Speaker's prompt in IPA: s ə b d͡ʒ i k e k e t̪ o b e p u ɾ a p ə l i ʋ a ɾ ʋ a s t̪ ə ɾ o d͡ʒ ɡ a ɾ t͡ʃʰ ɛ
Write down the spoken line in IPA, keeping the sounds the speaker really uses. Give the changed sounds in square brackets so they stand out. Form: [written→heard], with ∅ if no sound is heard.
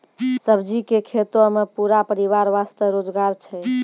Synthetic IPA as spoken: s ə b d͡ʒ i k e [k→kʰ] e t̪ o [b→m] e p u ɾ a p ə [l→ɾ] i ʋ a ɾ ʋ a s t̪ ə ɾ o d͡ʒ ɡ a ɾ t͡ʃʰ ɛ